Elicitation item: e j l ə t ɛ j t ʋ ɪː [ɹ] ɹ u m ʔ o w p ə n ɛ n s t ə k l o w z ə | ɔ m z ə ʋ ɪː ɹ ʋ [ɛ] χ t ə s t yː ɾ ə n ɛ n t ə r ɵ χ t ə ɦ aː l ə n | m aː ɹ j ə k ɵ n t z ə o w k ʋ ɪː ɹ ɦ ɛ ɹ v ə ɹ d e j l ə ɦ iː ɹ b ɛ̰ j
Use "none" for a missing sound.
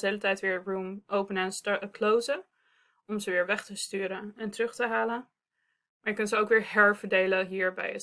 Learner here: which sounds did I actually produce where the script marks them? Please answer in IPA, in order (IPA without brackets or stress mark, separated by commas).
ɹ, ɛ